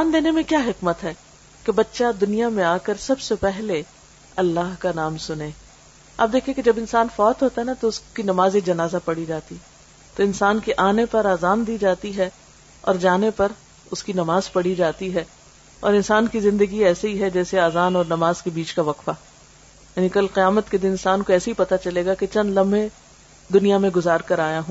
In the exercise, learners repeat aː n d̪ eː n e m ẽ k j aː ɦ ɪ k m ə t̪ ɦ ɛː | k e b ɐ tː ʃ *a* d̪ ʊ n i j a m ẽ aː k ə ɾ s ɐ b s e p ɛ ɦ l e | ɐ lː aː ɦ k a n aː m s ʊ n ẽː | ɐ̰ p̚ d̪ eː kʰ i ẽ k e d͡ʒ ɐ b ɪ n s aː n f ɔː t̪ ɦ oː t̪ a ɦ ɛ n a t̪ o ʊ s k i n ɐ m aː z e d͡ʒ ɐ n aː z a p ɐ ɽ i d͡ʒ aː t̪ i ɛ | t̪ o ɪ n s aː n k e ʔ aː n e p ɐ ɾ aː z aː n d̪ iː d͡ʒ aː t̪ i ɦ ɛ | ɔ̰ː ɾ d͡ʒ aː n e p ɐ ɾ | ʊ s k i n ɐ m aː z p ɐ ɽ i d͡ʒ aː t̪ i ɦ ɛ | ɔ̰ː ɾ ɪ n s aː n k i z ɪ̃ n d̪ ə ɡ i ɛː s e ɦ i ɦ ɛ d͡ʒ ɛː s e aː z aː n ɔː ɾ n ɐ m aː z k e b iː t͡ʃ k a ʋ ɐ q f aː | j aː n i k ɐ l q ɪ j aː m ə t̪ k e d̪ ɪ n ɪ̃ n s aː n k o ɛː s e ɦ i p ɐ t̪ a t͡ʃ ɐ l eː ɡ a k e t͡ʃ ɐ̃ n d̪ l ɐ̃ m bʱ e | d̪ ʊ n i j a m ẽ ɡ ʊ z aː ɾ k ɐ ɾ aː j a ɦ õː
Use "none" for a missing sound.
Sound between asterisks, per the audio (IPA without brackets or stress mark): a